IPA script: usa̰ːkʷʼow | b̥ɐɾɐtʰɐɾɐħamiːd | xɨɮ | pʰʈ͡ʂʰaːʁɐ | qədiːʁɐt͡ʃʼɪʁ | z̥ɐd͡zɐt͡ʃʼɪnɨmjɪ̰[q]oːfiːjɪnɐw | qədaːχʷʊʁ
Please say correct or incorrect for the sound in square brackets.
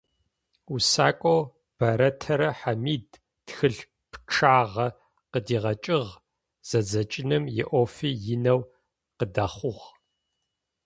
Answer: incorrect